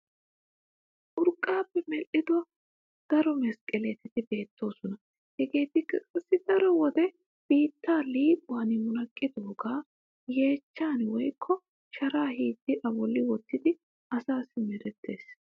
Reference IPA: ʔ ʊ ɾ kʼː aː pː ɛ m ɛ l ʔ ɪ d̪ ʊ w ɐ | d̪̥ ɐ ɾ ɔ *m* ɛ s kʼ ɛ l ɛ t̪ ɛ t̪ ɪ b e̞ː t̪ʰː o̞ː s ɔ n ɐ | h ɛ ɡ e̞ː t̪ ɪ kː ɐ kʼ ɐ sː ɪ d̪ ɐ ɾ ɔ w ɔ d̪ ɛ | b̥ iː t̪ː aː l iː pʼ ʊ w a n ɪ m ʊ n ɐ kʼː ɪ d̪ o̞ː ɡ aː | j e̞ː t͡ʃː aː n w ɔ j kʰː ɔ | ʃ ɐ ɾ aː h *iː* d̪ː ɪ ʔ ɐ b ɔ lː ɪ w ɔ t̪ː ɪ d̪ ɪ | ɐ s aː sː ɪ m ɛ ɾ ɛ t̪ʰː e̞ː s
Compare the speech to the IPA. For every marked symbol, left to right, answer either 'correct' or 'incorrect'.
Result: correct, correct

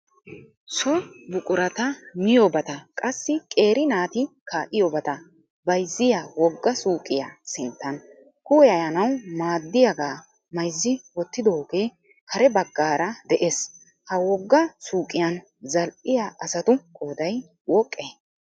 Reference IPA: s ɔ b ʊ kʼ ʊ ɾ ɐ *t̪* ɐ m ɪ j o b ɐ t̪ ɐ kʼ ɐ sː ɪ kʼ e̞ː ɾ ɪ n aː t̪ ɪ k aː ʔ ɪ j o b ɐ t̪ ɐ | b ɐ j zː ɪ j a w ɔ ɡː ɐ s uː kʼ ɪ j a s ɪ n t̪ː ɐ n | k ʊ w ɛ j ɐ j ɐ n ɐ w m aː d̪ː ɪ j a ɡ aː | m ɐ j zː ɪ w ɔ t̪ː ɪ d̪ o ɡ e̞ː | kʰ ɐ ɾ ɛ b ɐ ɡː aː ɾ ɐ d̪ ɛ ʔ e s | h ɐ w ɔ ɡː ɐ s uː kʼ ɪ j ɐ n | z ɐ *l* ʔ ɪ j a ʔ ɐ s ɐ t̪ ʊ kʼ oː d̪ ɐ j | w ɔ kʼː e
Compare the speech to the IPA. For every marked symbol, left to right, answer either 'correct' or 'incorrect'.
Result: correct, correct

